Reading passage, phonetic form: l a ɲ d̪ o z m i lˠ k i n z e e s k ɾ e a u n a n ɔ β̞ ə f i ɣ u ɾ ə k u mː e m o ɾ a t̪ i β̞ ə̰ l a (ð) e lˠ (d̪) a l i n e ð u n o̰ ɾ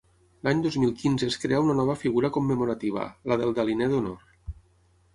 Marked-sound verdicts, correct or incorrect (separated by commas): correct, correct